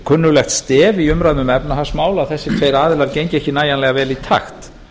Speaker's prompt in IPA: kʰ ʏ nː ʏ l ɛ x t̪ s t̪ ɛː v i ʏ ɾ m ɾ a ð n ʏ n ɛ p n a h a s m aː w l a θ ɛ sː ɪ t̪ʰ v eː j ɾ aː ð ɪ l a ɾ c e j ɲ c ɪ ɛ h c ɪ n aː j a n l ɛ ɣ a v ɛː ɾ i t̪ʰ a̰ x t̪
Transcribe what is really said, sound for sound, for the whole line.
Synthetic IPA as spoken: kʰ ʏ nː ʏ l ɛ x t̪ s t̪ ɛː v i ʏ m ɾ a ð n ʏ m ɛ p n a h a s m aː w l a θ ɛ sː ɪ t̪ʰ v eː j ɾ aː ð ɪ l a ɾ c e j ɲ c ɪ ɛ h c ɪ n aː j a n l ɛ ɣ a v ɛː l i t̪ʰ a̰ x t̪

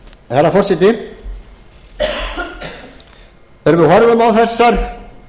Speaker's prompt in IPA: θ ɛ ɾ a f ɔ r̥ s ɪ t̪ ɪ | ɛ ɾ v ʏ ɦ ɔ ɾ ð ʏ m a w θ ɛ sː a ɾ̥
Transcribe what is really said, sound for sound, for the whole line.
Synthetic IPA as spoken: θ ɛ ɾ a f ɔ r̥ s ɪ t̪ ɪ | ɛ ɾ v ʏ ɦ ɔ ɾ ð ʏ m a w θ ɛ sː a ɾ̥

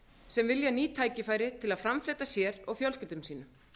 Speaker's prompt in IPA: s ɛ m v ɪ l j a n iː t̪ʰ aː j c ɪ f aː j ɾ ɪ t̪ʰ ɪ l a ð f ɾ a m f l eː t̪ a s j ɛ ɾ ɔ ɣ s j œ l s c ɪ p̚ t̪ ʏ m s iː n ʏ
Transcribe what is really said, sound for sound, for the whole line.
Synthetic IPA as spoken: s ɛ m v ɪ l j a n iː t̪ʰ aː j c ɪ f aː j ɾ ɪ t̪ʰ ɪ l a ð f ɾ a m f l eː t̪ a s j ɛ ɾ ɔ ɣ f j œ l s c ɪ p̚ t̪ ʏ m s iː n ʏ

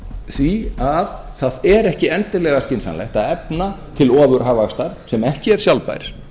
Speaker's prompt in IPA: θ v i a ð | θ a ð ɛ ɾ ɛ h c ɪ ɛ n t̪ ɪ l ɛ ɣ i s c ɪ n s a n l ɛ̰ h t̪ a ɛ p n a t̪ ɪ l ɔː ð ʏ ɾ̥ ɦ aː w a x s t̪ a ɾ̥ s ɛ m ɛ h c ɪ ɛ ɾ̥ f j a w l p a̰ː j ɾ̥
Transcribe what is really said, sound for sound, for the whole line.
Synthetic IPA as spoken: θ v i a ð | θ a ð ɛ ɾ ɛ h c ɪ ɛ n t̪ ɪ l ɛ ɣ a s c ɪ n s a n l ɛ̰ h t̪ a ɛ p n a t̪ʰ ɪ l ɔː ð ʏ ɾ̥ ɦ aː v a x s t̪ a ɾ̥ s ɛ m ɛ h c ɪ ɛ ɾ̥ s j a w l p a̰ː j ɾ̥

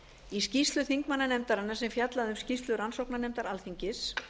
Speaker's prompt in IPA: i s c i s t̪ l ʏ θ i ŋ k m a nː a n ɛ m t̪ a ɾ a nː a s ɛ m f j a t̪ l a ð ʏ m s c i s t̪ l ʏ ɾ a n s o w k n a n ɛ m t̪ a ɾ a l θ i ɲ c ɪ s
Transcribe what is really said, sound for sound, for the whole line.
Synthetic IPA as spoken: i s c i s t̪ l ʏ θ i ŋ k m a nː a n ɛ m t̪ a ɾ a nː a s ɛ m f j a t̪ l a ð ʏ m s c i s t̪ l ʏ ɾ a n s o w k n a n ɛ m t̪ a ɾ a l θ i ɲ c ɪ s

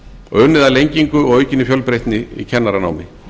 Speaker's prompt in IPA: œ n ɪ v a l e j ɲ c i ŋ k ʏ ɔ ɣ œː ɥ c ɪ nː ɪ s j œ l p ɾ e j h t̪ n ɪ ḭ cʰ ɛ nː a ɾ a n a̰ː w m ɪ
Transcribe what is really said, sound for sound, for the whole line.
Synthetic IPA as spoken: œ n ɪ ð a l e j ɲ c i ŋ k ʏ ɔ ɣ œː ɥ c ɪ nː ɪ f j œ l p ɾ e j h t̪ n ɪ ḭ cʰ ɛ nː a ɾ a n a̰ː w m ɪ

